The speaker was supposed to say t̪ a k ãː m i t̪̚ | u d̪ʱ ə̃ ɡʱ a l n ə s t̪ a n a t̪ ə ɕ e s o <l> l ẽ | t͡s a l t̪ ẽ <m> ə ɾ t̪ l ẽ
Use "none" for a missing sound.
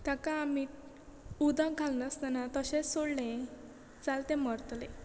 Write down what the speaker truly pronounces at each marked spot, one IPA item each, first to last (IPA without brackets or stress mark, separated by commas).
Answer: ɽ, m